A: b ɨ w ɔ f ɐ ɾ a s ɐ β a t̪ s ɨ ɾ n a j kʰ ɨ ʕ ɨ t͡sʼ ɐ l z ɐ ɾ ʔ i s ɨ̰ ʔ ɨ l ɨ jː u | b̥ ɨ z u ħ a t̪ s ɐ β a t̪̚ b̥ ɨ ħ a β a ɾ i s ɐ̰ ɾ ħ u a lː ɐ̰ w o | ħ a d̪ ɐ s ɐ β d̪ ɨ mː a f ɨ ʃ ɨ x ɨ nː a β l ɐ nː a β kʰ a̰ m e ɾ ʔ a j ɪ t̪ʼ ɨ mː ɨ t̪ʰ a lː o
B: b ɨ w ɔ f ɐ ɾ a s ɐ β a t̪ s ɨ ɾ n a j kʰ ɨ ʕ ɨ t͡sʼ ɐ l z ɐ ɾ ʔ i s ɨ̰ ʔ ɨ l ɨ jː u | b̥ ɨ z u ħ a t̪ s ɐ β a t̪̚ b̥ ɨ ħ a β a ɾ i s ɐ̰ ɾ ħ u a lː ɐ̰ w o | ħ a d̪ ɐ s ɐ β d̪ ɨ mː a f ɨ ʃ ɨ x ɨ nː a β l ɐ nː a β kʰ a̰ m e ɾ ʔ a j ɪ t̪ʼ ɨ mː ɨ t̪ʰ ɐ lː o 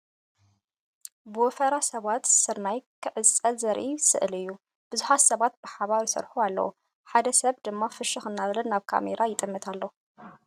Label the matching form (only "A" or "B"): A